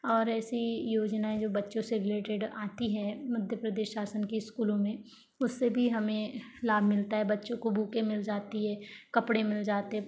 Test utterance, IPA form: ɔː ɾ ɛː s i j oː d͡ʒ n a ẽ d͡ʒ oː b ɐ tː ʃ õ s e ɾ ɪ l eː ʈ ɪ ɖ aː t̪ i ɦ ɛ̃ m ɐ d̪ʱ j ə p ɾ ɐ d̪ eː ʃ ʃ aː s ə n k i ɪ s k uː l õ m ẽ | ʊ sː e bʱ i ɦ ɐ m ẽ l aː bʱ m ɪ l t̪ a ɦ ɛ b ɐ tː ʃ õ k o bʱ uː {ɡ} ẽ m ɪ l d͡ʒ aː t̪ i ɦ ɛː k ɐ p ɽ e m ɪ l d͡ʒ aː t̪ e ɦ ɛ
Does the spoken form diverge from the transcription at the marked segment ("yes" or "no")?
yes